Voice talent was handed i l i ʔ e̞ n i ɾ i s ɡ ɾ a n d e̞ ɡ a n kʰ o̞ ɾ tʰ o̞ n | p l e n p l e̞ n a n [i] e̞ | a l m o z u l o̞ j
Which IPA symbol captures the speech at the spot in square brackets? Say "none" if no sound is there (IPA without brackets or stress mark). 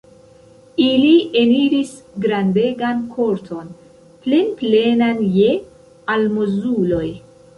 j